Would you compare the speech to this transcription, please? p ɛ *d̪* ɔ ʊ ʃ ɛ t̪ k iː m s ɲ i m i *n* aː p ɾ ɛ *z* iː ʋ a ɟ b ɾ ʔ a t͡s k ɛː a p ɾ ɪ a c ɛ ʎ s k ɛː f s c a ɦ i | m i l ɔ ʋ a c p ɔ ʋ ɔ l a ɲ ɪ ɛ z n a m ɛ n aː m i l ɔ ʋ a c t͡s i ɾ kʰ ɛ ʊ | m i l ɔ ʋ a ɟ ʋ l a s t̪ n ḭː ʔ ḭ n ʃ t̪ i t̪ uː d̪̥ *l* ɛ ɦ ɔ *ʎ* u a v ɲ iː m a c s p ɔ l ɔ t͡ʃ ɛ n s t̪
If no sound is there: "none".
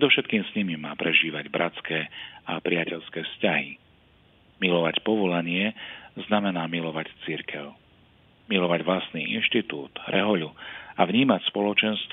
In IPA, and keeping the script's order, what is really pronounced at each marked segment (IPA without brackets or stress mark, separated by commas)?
d̪, m, ʒ, ɾ, ʎ